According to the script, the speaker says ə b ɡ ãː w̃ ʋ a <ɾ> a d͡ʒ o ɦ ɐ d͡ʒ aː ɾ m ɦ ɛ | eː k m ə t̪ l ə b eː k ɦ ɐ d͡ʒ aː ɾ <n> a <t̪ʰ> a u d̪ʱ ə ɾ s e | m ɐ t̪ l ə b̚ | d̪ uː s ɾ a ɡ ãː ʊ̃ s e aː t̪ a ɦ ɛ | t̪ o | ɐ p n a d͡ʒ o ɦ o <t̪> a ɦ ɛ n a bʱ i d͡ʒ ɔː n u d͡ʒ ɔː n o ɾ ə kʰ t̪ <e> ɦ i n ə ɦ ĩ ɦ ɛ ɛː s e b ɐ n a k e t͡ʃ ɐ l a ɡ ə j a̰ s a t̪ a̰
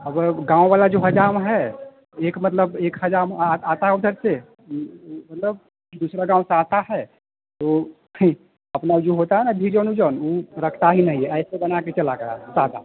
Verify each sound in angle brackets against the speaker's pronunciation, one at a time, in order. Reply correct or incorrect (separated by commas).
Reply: incorrect, incorrect, incorrect, correct, incorrect